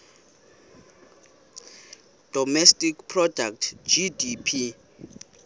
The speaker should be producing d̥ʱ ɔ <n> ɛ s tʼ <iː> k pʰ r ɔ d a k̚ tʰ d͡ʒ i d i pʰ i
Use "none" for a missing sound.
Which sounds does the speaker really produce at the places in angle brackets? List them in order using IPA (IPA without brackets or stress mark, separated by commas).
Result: m, i